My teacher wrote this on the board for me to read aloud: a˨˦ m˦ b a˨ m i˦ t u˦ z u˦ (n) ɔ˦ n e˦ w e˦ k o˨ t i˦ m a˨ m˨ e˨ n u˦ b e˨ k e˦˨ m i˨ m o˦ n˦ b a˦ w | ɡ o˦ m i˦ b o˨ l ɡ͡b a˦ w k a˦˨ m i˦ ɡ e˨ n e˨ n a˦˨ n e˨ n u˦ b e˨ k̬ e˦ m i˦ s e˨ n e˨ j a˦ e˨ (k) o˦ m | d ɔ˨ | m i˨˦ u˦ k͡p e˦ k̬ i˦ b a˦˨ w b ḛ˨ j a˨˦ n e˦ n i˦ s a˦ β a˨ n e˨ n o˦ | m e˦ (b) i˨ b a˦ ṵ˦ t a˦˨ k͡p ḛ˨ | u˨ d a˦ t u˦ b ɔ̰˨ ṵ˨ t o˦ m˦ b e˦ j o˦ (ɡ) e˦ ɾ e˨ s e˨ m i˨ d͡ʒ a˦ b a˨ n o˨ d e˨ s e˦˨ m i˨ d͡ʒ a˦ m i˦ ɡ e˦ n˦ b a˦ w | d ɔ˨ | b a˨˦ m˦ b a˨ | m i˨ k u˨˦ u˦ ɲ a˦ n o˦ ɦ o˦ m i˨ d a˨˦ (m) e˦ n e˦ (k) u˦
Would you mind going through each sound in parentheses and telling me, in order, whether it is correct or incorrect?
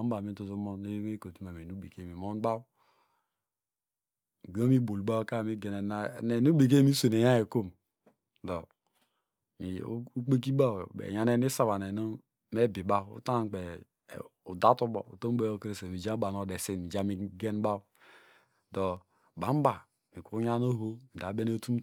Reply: incorrect: m, correct, correct, incorrect: k, incorrect: b, incorrect: t

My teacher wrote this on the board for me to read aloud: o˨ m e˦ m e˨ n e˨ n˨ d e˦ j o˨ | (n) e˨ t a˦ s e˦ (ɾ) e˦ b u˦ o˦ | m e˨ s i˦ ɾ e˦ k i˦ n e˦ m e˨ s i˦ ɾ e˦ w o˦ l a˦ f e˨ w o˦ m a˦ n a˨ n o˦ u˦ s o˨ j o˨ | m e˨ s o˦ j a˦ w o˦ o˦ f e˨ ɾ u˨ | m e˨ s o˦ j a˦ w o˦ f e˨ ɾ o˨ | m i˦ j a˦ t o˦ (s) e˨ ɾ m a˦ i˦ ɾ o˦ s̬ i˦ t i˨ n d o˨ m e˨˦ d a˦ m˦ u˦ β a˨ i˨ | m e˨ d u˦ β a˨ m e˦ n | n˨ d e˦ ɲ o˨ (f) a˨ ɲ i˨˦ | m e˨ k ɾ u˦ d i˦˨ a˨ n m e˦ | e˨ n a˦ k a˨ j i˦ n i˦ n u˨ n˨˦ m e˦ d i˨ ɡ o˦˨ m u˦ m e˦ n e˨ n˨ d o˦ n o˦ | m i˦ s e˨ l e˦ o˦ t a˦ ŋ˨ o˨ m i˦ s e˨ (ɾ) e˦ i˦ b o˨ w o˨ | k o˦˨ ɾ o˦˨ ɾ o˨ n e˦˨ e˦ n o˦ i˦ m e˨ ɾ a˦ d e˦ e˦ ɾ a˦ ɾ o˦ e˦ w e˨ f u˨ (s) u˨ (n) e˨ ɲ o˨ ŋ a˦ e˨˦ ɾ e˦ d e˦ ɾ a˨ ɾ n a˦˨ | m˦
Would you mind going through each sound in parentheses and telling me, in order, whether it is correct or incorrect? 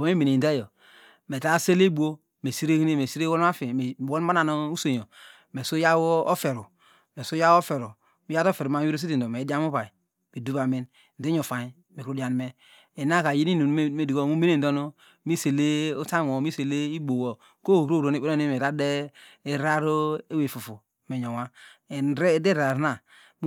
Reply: incorrect: m, incorrect: l, incorrect: f, correct, incorrect: l, incorrect: f, incorrect: m

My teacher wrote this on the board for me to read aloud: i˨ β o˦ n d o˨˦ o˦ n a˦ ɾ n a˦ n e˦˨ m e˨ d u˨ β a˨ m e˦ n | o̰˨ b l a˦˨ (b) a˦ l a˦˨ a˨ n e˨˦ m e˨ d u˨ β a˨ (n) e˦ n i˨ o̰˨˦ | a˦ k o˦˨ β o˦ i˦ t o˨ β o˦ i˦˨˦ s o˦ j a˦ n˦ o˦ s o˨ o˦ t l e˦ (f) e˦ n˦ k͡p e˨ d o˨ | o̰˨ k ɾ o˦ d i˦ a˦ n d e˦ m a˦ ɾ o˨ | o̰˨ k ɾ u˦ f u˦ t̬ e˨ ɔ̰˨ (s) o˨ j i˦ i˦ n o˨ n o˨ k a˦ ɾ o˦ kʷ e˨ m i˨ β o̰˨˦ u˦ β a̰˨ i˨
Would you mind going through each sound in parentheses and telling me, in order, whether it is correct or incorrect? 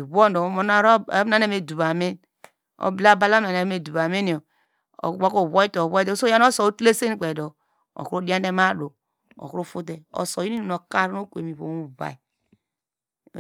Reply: correct, incorrect: m, incorrect: s, correct

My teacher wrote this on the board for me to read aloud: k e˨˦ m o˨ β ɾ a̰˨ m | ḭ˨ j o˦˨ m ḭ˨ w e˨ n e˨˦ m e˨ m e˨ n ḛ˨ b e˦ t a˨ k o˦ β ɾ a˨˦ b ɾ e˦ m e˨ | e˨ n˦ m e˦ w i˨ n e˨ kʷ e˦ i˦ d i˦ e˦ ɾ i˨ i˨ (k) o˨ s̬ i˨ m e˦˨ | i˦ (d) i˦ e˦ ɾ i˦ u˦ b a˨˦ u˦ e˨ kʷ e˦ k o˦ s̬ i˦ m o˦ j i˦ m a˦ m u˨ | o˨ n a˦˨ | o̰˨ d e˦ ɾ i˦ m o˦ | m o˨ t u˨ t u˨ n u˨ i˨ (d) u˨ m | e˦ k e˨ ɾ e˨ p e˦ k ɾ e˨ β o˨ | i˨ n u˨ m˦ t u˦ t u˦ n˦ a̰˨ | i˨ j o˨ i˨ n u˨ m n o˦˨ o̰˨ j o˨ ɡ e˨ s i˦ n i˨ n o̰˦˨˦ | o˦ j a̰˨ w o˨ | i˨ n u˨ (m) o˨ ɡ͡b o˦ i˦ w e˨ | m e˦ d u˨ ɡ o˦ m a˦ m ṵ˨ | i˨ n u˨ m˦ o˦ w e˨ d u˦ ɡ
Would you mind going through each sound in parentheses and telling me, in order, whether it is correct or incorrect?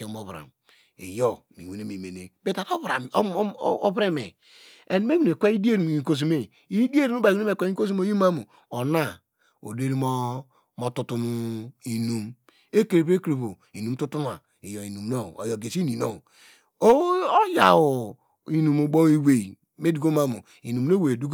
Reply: correct, correct, incorrect: n, correct

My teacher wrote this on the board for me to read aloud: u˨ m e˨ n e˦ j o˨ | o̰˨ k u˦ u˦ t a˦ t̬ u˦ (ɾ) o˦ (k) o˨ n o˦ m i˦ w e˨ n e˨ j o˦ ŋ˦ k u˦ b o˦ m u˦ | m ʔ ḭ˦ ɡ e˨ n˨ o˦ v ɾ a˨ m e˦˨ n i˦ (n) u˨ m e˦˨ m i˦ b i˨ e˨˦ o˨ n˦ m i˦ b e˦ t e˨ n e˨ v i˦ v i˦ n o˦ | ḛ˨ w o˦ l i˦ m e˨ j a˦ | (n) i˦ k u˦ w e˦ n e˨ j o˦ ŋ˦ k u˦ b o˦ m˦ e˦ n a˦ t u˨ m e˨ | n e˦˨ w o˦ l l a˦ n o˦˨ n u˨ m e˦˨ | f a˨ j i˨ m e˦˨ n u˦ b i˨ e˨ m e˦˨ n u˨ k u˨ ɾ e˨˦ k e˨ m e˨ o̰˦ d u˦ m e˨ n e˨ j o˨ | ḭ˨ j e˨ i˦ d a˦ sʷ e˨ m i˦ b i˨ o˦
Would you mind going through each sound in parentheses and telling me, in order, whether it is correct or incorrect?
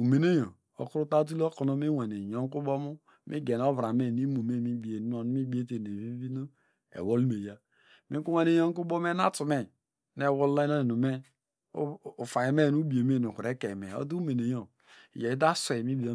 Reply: incorrect: l, correct, incorrect: m, incorrect: m

